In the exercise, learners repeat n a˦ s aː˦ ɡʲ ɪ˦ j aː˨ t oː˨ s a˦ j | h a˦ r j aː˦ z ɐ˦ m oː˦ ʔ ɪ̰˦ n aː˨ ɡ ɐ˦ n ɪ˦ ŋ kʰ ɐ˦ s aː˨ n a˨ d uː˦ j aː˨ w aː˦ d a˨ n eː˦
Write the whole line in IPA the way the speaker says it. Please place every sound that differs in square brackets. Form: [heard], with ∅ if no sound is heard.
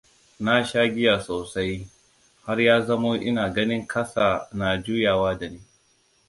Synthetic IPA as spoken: n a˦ [ʃ] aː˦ ɡʲ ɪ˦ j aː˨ [s] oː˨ s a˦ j | h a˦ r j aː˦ z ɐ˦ m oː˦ ʔ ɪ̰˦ n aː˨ ɡ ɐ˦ n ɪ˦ ŋ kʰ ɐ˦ s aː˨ n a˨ [d͡ʒ] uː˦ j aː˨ w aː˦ d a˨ n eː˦